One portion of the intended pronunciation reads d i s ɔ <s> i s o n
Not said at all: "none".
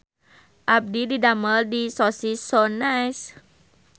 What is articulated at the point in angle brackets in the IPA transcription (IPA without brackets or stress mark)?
s